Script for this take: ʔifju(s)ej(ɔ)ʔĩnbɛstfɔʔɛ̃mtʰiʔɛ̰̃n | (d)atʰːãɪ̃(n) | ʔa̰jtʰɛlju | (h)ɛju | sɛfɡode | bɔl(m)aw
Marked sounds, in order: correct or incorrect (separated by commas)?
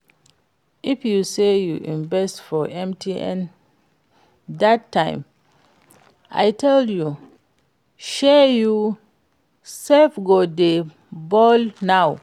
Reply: correct, incorrect, correct, incorrect, incorrect, incorrect